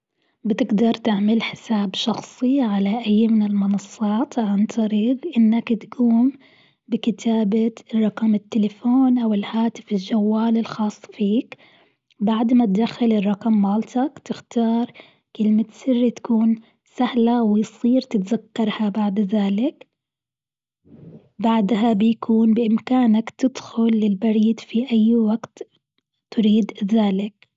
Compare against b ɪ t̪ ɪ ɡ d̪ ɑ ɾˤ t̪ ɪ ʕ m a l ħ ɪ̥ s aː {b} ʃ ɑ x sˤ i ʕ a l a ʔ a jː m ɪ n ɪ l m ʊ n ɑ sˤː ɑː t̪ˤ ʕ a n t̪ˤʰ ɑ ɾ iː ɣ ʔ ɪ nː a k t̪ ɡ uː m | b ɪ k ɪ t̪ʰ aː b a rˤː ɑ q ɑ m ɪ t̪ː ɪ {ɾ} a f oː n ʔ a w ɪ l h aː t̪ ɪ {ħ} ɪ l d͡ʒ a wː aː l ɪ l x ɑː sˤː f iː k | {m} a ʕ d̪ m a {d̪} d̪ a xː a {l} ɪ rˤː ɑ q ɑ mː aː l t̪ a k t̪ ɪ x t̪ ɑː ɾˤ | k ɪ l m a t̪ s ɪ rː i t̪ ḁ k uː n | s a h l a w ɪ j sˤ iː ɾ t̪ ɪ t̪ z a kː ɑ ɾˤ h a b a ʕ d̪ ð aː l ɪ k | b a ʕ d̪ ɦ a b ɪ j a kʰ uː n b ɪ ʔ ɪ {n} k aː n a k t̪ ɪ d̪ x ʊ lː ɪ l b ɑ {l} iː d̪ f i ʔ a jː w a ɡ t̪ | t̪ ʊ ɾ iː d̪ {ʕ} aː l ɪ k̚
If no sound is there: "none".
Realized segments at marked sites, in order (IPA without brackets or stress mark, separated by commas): b, l, f, b, t̪, l, m, ɾ, ð